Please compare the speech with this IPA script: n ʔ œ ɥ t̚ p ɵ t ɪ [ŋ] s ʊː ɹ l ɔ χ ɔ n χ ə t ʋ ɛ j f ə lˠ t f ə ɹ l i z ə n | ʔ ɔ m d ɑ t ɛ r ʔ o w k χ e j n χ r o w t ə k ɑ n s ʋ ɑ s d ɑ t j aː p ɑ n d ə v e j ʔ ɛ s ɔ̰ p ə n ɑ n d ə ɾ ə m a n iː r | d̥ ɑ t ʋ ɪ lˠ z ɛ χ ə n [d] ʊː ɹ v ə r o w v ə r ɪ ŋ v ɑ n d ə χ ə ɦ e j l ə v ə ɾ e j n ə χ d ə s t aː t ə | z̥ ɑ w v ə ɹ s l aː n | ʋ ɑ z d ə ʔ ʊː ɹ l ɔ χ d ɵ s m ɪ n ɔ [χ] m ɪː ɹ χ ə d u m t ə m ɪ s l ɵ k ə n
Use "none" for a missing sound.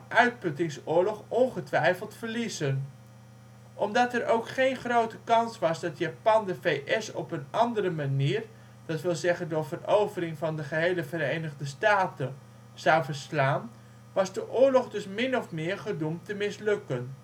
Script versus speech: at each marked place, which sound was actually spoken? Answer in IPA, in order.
ŋ, d, f

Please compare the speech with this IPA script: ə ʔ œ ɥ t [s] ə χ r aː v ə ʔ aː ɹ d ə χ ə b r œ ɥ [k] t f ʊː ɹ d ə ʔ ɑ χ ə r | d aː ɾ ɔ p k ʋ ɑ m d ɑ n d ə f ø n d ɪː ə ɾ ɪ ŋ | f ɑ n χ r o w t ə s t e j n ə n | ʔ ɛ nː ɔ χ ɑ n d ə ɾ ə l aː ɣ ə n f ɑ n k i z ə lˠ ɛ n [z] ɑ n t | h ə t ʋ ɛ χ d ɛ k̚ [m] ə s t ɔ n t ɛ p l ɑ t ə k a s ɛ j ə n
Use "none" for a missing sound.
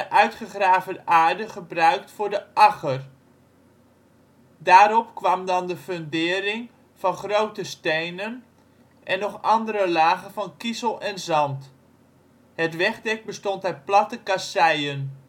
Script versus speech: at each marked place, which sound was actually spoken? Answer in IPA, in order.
χ, k, z, b

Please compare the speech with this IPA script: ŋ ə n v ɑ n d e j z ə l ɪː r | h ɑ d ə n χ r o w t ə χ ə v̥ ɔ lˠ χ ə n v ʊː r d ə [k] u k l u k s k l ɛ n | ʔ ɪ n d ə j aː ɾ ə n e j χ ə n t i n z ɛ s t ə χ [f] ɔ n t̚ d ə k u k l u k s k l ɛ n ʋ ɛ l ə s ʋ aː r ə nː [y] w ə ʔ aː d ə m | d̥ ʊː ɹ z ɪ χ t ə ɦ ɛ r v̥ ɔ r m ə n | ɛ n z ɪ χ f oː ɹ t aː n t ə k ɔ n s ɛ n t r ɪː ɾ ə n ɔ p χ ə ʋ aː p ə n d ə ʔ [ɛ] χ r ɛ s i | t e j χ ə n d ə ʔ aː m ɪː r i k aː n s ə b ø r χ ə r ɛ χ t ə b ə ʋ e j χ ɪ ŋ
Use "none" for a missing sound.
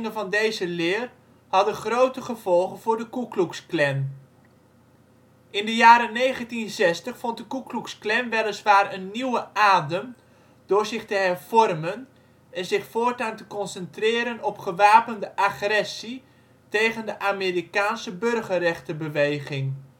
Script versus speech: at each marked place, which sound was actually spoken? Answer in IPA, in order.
k, f, i, a

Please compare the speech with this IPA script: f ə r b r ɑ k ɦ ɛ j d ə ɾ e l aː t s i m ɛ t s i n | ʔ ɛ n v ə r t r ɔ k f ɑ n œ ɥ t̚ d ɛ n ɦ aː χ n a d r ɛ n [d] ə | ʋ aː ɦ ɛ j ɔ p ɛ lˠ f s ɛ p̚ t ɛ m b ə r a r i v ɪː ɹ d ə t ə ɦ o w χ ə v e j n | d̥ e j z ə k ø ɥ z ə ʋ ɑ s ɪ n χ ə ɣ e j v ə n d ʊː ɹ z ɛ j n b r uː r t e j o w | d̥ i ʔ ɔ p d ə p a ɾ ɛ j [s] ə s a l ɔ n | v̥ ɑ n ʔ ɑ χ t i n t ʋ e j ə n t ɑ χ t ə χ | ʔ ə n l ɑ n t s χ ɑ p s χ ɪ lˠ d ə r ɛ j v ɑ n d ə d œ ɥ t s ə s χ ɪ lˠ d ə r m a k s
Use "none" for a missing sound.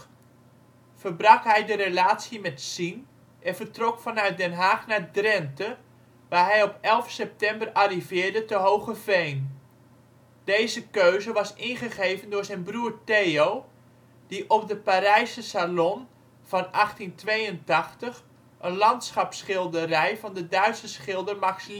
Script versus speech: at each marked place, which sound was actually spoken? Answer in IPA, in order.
t, s

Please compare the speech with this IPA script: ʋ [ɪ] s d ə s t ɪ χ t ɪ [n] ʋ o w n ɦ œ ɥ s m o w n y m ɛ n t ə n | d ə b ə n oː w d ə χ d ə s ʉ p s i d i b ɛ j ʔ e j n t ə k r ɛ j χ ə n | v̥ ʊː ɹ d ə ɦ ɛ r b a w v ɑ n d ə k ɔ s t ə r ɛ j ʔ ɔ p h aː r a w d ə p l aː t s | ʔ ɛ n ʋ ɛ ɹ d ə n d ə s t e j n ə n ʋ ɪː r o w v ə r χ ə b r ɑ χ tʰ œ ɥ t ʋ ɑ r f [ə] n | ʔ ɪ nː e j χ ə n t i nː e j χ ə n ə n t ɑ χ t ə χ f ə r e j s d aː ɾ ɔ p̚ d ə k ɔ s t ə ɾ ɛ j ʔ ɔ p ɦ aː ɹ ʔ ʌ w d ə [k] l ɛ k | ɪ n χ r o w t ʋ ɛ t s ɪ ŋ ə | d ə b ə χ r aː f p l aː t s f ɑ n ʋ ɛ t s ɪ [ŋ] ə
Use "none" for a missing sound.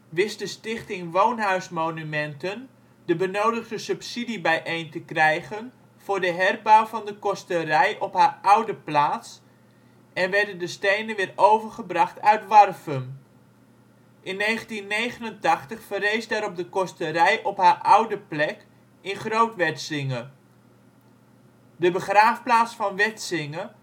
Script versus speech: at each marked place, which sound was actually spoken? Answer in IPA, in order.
ɪ, ŋ, ə, p, ŋ

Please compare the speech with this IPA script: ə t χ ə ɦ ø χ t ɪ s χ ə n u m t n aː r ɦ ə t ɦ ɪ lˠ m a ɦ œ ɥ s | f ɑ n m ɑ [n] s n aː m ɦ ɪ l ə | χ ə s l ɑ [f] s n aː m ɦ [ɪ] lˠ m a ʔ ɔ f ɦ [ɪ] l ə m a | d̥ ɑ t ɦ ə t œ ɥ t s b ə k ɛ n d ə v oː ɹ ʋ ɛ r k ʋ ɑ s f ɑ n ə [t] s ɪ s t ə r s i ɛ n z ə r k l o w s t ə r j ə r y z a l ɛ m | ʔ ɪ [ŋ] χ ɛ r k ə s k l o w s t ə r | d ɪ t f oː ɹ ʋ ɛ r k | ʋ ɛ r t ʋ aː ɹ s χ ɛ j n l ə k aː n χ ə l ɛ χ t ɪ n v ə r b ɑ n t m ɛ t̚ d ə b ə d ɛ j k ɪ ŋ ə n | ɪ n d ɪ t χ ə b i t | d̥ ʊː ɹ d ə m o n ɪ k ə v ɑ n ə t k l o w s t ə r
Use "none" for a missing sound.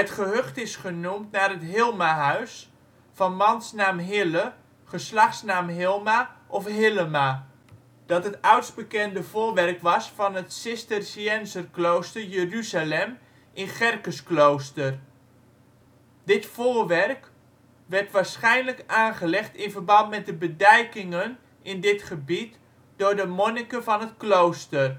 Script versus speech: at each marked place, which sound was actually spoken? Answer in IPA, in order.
n, χ, ɪ, ɪ, t, n

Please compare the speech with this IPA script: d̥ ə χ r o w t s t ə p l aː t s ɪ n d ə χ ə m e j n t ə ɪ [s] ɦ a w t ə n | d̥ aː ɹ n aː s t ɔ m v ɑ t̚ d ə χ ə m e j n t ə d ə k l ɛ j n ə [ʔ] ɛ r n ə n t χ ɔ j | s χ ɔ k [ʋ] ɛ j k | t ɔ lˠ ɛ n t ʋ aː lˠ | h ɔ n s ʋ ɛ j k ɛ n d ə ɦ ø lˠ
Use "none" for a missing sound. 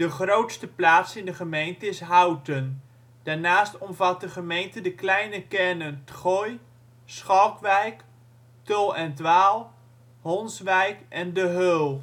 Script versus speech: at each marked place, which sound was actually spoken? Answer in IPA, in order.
s, k, ʋ

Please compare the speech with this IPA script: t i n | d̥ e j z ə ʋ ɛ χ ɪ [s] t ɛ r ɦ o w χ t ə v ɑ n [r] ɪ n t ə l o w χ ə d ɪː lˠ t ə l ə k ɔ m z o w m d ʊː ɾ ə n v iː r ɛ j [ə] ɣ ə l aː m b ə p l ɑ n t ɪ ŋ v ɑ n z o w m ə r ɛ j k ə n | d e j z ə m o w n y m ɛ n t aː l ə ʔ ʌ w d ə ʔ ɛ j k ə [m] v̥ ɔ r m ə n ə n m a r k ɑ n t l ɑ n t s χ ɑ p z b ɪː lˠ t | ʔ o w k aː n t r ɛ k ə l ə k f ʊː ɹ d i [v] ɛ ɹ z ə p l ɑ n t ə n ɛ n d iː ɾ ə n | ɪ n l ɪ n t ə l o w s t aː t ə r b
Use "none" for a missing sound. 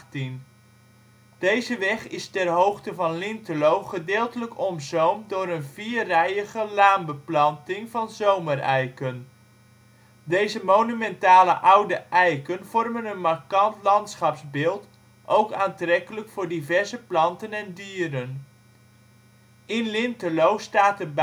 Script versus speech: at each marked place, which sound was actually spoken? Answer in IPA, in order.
s, l, ə, n, v

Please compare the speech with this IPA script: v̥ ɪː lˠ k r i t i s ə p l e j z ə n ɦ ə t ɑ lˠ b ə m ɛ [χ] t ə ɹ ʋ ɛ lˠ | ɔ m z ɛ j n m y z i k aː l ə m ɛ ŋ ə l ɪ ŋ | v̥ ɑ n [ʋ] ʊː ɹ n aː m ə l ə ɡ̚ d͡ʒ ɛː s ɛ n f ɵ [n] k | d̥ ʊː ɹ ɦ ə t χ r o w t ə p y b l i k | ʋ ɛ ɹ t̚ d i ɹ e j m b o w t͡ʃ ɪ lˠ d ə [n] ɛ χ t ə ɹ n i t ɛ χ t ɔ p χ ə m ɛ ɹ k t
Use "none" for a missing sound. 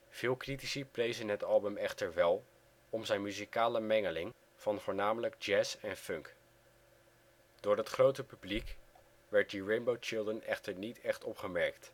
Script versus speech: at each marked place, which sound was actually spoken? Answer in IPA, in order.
χ, v, ŋ, n

